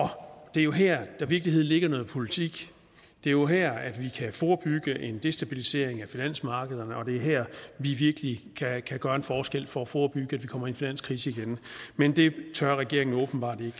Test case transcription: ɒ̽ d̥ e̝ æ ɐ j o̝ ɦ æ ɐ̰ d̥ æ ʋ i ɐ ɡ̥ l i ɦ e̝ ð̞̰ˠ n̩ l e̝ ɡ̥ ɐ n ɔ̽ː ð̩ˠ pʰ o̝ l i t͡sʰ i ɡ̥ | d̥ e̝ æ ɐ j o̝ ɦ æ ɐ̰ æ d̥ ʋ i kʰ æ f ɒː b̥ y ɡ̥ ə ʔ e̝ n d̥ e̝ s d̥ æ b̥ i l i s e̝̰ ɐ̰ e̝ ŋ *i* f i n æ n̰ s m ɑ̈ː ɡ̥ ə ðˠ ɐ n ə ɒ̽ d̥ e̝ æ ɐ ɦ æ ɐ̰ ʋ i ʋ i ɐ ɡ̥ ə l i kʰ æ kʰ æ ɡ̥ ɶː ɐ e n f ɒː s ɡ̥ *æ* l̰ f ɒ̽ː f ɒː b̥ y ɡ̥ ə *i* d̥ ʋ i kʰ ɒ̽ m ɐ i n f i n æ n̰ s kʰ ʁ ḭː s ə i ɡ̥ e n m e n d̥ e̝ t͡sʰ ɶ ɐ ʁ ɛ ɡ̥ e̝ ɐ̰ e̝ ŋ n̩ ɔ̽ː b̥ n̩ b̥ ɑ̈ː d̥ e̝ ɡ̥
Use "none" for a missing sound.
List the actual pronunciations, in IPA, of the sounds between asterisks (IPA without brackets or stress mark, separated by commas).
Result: æ, e, æ